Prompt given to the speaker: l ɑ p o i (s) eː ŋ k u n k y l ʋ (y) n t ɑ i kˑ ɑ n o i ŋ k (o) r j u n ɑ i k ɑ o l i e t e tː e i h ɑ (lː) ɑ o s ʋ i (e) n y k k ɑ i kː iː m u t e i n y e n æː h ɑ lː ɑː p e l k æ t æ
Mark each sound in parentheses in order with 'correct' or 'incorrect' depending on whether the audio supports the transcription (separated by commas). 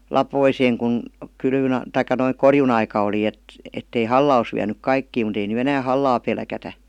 correct, correct, correct, correct, incorrect